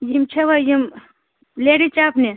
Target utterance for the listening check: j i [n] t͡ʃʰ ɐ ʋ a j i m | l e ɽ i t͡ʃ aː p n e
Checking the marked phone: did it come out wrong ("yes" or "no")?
yes